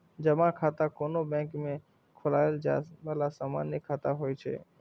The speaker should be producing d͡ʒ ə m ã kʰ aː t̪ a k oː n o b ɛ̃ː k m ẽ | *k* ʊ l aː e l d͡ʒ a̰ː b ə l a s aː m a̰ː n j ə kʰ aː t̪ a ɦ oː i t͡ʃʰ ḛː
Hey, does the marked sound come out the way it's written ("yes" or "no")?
no